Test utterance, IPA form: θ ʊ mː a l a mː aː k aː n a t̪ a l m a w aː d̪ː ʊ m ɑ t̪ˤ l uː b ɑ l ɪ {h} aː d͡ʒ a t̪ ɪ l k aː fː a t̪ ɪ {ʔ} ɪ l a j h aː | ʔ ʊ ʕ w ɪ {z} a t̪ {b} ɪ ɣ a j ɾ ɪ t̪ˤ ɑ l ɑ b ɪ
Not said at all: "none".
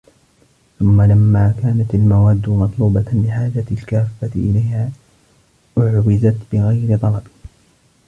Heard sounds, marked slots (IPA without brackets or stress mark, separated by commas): ħ, ʔ, z, b